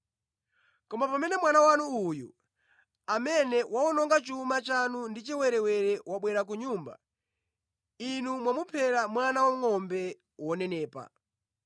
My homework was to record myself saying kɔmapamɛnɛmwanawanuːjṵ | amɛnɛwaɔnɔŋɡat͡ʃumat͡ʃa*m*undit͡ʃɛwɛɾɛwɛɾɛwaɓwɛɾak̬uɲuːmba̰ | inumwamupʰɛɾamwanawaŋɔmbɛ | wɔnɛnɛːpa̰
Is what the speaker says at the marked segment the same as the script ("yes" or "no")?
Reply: no